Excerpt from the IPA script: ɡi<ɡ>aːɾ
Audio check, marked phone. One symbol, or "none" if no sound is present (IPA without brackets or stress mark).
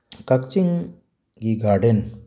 ɡ